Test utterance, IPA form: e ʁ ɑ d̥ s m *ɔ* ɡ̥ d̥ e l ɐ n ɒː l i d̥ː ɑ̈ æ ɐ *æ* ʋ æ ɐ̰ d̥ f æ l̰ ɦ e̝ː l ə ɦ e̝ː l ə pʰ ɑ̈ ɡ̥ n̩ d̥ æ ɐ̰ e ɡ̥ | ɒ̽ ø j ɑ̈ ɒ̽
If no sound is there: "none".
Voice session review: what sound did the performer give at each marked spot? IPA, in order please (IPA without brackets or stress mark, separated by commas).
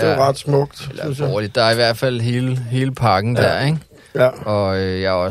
ɔ, i